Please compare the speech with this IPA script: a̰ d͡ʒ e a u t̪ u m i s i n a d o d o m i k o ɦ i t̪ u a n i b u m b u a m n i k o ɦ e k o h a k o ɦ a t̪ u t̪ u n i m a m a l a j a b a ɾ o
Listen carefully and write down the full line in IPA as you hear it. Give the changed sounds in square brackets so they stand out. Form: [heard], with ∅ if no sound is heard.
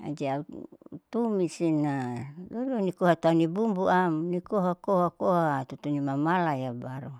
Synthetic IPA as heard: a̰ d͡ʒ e a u t̪ u m i s i n a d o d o [n] i k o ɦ [a] t̪ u a n i b u m b u a m n i k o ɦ [a] k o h a k o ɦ a t̪ u t̪ u n i m a m a l a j a b a ɾ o